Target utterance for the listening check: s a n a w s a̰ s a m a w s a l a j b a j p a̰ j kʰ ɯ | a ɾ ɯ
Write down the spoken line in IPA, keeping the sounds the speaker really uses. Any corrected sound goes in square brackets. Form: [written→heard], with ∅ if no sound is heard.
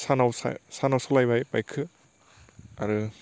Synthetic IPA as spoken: s a n a w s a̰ s a [m→n] a w s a l a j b a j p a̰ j kʰ ɯ | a ɾ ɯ